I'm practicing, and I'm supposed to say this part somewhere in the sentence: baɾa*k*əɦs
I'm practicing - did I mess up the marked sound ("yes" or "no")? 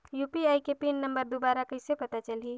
no